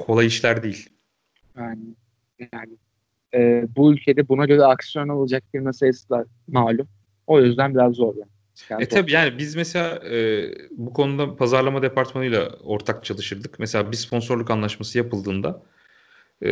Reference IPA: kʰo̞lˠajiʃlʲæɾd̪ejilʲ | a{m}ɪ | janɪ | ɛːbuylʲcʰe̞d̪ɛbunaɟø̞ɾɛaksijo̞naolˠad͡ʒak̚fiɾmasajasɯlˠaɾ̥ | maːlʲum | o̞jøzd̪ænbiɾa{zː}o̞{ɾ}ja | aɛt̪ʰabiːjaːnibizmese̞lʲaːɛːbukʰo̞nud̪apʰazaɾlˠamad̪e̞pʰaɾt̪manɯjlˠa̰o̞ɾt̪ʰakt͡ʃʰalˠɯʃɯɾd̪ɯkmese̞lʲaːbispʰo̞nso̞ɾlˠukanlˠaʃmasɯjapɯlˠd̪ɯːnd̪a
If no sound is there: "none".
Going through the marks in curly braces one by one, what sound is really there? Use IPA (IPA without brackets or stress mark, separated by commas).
n, zː, ɾ